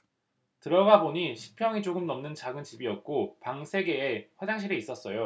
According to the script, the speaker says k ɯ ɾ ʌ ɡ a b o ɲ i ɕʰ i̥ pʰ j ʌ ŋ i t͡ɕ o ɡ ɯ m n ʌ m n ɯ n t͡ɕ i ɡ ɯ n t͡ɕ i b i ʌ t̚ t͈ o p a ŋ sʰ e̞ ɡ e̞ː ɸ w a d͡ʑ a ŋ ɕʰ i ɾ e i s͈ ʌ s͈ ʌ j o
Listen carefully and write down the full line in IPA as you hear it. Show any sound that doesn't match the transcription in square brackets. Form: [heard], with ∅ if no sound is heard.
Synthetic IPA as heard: [t] ɯ ɾ ʌ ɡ a b o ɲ i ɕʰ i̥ pʰ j ʌ ŋ i t͡ɕ o ɡ ɯ m n ʌ m n ɯ n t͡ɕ [a] ɡ ɯ n t͡ɕ i b i ʌ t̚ [k͈] o p a ŋ sʰ e̞ ɡ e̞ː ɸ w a d͡ʑ a ŋ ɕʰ i ɾ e i s͈ ʌ s͈ ʌ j o